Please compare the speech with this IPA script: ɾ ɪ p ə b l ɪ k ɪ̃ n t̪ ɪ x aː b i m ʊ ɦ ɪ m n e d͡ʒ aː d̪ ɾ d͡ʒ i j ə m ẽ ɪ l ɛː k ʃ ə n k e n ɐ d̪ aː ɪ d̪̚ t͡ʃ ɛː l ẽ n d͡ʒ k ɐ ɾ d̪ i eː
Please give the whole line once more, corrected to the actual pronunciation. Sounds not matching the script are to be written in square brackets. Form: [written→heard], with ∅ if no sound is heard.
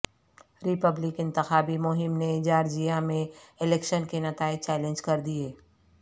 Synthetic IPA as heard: ɾ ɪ p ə b l ɪ k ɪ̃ n t̪ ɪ x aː b i m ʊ ɦ ɪ m n e d͡ʒ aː [d̪→∅] ɾ d͡ʒ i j [ə→a] m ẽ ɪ l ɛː k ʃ ə n k e n ɐ [d̪→t̪] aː ɪ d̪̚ t͡ʃ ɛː l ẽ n d͡ʒ k ɐ ɾ d̪ i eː